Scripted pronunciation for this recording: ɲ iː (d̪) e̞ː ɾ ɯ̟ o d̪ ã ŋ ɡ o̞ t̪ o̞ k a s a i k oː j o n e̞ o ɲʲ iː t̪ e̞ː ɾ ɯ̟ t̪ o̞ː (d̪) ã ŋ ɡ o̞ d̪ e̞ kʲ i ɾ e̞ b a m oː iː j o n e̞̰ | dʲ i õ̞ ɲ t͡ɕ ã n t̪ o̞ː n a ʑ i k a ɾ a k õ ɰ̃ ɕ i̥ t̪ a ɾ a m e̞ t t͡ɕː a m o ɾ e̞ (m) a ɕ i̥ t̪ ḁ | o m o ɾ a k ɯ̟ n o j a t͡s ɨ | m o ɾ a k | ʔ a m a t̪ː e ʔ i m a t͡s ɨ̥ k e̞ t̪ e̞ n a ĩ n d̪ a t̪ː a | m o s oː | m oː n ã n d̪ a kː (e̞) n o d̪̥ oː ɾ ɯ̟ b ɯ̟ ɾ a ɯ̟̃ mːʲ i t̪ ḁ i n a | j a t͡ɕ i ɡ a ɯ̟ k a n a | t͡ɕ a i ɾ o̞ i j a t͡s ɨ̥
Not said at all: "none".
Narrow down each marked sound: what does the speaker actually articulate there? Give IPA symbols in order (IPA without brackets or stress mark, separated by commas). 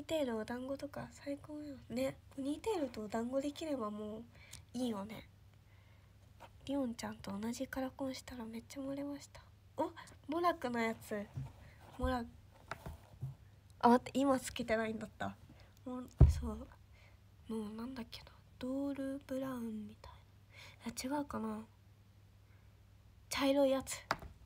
t̪, d̪, m, e̞